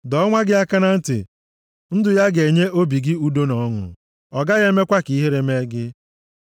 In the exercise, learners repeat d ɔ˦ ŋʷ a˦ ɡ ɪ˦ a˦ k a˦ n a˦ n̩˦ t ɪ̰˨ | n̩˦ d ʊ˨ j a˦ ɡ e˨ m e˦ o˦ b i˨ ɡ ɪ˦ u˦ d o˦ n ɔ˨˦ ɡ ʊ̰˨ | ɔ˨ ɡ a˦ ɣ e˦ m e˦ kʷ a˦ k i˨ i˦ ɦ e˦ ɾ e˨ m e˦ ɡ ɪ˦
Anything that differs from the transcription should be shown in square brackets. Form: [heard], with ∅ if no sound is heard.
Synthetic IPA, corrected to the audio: d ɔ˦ ŋʷ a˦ ɡ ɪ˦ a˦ k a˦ n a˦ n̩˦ t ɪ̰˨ | n̩˦ d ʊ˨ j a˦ ɡ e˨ [ɲ] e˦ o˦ b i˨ ɡ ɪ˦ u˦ d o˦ n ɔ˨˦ [ŋ] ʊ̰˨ | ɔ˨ ɡ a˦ ɣ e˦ m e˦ kʷ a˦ k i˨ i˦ ɦ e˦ ɾ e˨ m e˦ ɡ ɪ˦